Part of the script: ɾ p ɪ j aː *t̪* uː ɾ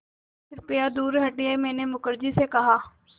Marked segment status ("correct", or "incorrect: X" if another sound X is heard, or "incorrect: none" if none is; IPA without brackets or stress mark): incorrect: d̪